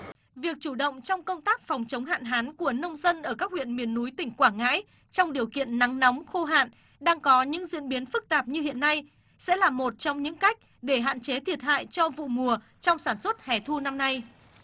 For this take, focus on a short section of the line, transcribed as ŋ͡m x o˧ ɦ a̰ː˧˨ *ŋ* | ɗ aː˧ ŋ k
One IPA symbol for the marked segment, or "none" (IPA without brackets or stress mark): n